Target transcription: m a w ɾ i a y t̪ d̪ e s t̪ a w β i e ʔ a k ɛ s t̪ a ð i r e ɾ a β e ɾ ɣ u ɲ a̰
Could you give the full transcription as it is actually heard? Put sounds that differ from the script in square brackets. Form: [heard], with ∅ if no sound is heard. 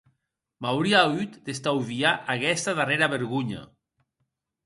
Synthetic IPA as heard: m a w ɾ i a y t̪ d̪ e s t̪ a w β i [a] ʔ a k ɛ s t̪ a ð [a] r e ɾ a β e ɾ ɣ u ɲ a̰

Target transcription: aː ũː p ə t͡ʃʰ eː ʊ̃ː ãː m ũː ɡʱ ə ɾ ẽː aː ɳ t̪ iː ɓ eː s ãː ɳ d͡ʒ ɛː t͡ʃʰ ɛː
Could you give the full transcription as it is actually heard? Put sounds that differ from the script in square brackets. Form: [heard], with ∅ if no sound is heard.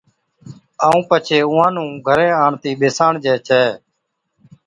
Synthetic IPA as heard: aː ũː p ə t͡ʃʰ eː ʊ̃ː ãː [n] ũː ɡʱ ə ɾ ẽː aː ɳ t̪ iː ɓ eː s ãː ɳ d͡ʒ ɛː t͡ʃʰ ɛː

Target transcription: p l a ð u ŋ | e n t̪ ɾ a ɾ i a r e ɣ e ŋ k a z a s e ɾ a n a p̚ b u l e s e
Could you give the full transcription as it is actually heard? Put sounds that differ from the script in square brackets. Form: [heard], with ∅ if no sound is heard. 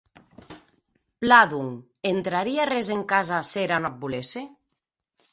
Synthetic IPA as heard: p l a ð u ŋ | e n t̪ ɾ a ɾ i a r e [z] e ŋ k a z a s e ɾ a n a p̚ b u l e s e

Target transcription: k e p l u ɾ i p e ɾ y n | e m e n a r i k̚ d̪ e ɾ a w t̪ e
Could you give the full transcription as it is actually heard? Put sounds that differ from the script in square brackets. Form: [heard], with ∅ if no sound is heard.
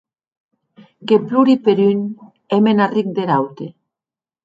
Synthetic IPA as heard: k e p l u ɾ i p e ɾ y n | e m e n a r i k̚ d̪ e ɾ a w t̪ e

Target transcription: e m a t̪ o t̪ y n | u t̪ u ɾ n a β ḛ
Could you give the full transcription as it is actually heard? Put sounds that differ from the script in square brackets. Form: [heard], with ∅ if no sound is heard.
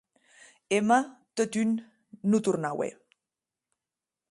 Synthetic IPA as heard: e m a t̪ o t̪ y [nː] | u t̪ u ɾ n a [w] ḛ

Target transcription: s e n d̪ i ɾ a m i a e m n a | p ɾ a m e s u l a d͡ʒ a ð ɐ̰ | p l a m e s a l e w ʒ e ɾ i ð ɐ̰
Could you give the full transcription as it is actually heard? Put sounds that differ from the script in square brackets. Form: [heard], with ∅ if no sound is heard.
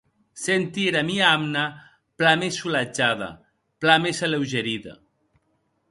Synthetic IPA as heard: s e n [t̪] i ɾ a m i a [a] m n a | p [l] a m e s u l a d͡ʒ a ð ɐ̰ | p l a m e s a l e w ʒ e ɾ i ð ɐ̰

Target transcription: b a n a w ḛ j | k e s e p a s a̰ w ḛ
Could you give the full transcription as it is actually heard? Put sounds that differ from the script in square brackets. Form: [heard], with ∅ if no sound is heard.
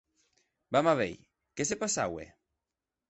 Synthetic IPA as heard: b a [m] a [β] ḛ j | k e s e p a s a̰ w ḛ

